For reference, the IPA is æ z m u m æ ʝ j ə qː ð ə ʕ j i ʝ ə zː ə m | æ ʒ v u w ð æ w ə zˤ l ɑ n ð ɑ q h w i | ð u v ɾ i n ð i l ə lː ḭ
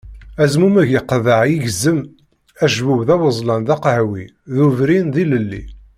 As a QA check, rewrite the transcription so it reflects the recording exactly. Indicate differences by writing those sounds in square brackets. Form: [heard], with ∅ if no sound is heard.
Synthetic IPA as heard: æ z m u m æ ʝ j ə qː ð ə ʕ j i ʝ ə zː ə m | æ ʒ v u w ð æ w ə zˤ l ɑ n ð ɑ q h w i | ð u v ɾ i n ð i l ə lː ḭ